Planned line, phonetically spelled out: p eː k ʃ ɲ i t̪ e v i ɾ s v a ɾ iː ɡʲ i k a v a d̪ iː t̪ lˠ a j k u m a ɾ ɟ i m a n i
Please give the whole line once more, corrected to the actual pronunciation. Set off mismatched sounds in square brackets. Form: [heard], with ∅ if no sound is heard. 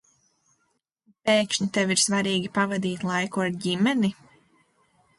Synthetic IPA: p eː k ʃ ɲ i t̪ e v i ɾ s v a ɾ iː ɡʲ i [p] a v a d̪ iː t̪ lˠ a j k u [∅] a ɾ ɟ i m [ɛ] n i